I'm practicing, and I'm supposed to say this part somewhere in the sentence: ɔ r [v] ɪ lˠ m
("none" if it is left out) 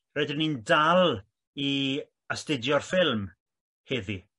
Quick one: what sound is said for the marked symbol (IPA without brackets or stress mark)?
f